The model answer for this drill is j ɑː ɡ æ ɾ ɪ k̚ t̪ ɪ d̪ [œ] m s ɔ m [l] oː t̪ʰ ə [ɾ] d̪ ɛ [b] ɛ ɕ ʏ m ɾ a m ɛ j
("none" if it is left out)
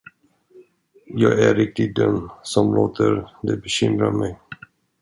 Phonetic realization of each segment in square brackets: œ, l, ɾ, b

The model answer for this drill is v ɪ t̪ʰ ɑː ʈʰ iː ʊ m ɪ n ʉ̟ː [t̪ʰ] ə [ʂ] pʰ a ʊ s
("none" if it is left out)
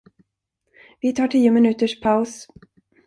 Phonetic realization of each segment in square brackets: t̪, ʂ

